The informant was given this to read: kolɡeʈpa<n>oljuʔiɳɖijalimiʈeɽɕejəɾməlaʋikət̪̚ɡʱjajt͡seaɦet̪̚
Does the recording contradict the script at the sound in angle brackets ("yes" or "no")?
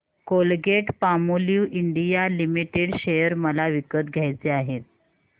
yes